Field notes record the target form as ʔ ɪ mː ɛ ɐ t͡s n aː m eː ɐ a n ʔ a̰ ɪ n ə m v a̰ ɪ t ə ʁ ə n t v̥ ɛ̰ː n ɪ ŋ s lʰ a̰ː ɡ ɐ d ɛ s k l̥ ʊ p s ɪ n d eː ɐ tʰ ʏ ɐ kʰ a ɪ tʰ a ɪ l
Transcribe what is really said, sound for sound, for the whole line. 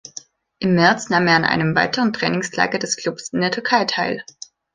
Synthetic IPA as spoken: ʔ ɪ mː ɛ ɐ t͡s n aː m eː ɐ a n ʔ a̰ ɪ n ə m v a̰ ɪ t ə ʁ ə n t ʁ̥ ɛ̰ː n ɪ ŋ s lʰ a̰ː ɡ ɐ d ɛ s k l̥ ʊ p s ɪ n d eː ɐ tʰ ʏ ɐ kʰ a ɪ tʰ a ɪ l